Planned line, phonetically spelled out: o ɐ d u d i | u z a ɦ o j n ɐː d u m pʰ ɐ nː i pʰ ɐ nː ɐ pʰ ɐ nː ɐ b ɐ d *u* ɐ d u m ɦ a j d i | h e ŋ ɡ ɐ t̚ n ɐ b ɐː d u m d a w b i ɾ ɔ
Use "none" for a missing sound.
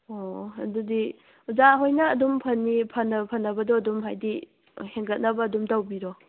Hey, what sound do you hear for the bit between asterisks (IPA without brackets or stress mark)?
ɔ